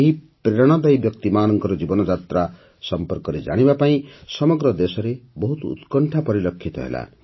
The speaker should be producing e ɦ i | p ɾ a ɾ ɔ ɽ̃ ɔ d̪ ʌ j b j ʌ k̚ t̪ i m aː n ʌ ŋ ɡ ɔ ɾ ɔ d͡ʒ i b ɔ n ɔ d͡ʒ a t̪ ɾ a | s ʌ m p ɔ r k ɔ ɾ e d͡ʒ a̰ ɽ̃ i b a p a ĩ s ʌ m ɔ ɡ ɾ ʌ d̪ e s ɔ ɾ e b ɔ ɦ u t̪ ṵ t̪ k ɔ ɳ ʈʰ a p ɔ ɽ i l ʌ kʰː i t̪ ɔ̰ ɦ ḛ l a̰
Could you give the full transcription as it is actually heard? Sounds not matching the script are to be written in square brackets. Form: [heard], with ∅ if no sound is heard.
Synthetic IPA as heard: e ɦ i | p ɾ [e] ɾ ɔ ɽ̃ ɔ d̪ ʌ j b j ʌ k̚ t̪ i m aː n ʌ ŋ [k] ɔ ɾ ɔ d͡ʒ i b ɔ n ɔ d͡ʒ a t̪ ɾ a | s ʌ m p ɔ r k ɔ ɾ e d͡ʒ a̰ ɽ̃ i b a p a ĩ s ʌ m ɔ ɡ ɾ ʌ d̪ e s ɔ ɾ e b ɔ ɦ u t̪ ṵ t̪ k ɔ ɳ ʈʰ a p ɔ [ɾ] i l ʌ kʰː i t̪ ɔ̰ ɦ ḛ l a̰